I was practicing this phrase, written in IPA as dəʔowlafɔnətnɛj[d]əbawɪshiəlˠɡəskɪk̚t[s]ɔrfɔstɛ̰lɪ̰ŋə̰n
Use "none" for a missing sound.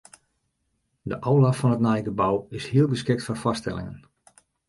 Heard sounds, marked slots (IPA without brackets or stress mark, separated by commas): ɡ, f